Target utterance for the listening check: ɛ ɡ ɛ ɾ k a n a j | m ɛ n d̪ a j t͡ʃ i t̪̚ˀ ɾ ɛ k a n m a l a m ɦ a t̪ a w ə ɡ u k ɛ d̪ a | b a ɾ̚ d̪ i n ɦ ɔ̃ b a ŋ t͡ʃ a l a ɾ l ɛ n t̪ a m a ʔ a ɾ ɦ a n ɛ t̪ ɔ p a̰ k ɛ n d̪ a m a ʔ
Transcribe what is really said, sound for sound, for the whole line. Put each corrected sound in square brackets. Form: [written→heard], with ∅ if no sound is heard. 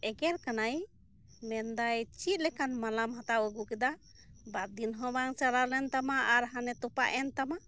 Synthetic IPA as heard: ɛ ɡ ɛ ɾ k a n a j | m ɛ n d̪ a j t͡ʃ i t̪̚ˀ [ɾ→l] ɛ k a n m a l a m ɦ a t̪ a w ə ɡ u k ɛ d̪ a | b a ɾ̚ d̪ i n ɦ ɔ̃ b a ŋ t͡ʃ a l a ɾ l ɛ n t̪ a m a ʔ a ɾ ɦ a n ɛ t̪ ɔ p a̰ [k→ʔ] ɛ n [d̪→t̪] a m a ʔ